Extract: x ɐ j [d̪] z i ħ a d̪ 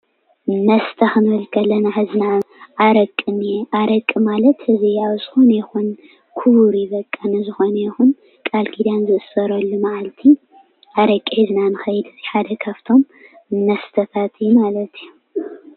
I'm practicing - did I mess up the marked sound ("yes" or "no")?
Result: no